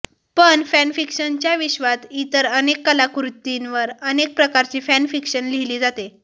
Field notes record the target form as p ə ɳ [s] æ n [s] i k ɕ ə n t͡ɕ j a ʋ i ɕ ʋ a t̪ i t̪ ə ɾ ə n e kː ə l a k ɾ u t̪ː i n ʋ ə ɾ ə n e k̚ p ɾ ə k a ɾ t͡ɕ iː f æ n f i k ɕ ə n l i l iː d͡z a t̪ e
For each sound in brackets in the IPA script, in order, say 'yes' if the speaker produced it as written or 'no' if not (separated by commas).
no, no